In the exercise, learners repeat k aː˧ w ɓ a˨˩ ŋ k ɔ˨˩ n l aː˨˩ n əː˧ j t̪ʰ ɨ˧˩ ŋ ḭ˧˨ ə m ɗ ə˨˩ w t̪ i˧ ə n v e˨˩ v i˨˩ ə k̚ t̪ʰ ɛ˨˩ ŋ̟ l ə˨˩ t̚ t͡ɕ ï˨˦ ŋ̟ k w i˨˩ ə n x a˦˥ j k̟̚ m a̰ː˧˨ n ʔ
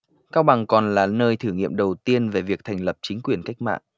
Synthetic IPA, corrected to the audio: k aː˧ w ɓ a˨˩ ŋ k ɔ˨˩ n l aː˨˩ n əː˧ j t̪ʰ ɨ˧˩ ŋ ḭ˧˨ ə m ɗ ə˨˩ w t̪ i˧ ə n v e˨˩ v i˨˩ ə k̚ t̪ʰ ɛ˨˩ ŋ̟ l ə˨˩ p̚ t͡ɕ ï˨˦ ŋ̟ k w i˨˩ ə n k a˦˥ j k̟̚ m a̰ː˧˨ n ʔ